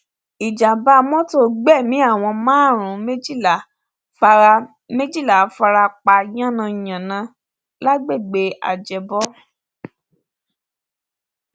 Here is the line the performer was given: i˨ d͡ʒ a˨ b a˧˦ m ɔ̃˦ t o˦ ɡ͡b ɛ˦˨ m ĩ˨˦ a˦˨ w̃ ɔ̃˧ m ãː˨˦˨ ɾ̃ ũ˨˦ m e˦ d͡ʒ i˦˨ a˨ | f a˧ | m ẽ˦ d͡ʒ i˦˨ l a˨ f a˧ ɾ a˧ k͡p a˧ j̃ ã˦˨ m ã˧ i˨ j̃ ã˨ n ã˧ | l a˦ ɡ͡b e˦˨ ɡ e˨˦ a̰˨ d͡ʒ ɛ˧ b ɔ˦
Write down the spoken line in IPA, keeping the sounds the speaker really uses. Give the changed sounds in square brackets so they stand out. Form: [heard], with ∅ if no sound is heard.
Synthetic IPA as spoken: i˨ d͡ʒ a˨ b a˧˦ m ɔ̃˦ t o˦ ɡ͡b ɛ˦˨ m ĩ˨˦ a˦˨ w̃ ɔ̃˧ m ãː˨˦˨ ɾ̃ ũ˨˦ m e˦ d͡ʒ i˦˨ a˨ | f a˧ | m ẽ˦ d͡ʒ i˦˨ l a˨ f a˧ ɾ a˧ k͡p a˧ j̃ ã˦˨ [n] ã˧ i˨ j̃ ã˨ n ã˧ | l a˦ ɡ͡b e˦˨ [ɡ͡b] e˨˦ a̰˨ d͡ʒ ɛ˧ b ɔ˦

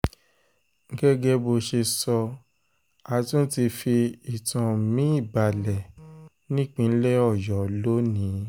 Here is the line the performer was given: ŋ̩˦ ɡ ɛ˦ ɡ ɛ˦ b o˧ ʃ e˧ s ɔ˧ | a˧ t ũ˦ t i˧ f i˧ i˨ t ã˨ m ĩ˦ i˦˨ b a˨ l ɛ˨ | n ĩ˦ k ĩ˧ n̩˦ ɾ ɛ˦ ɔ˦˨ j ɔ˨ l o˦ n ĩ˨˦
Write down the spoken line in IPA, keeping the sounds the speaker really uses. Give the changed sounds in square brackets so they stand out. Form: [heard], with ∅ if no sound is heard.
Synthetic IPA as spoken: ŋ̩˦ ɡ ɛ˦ ɡ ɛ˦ b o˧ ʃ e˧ s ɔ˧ | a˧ t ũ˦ t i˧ f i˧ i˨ t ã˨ m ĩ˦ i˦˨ b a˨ l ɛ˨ | n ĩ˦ [k͡p] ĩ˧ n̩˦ [l] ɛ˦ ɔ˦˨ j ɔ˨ l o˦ n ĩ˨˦

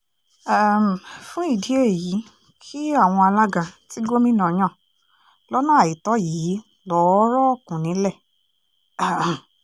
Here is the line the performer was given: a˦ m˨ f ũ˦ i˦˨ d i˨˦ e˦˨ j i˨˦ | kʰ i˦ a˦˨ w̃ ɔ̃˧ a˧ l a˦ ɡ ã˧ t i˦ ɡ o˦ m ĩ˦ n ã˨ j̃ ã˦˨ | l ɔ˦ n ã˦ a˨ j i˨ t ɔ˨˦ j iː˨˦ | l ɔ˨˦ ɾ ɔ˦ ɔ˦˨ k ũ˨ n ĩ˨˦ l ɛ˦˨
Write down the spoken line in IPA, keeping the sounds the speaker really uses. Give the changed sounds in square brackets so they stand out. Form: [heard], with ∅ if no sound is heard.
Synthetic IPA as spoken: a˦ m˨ f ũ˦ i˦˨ d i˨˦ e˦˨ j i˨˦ | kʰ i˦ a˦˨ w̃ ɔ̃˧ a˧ l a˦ ɡ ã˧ t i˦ ɡ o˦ m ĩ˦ n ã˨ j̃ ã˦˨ | l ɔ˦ n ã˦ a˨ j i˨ t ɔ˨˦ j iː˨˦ | l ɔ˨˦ ɾ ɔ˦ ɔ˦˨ k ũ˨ n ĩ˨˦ l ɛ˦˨

